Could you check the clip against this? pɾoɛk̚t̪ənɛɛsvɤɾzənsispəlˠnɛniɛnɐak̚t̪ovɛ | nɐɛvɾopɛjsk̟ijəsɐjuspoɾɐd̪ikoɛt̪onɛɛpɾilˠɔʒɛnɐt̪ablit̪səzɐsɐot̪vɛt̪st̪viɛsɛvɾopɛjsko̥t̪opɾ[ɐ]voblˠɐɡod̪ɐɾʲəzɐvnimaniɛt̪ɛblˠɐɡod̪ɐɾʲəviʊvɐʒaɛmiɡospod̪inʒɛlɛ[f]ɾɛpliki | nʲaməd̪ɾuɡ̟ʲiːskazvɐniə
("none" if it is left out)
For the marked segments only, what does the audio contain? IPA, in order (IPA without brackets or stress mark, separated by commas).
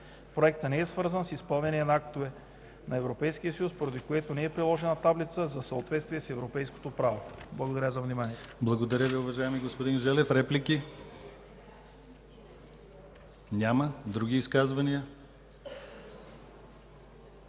a, f